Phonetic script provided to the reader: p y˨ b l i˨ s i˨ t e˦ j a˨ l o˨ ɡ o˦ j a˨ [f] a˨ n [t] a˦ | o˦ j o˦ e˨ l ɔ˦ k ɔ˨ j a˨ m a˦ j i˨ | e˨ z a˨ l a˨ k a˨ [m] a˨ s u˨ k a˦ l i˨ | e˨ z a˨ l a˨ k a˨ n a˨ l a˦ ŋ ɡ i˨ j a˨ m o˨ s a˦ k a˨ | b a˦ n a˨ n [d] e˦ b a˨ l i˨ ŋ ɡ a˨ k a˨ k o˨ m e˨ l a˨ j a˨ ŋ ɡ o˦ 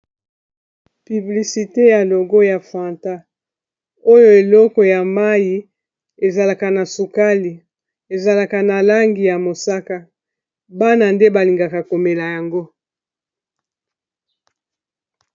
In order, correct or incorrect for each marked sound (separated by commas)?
correct, correct, incorrect, correct